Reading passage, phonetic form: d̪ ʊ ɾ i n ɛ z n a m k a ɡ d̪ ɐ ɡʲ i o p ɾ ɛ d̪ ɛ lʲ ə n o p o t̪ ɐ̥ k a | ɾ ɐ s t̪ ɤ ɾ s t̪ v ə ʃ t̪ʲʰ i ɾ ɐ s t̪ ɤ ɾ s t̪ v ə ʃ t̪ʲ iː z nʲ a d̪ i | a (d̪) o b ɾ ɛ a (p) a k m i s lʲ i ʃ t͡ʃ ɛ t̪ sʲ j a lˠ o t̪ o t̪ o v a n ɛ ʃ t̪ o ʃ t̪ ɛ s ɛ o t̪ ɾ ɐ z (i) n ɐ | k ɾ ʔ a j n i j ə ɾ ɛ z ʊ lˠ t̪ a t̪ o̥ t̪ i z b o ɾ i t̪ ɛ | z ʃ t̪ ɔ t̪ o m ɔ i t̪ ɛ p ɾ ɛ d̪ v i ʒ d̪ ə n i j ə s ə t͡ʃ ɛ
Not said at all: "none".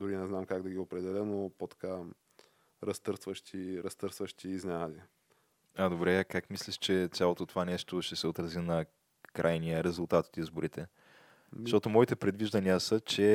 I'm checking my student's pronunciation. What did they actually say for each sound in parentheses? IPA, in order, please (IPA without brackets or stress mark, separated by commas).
d̪, k, i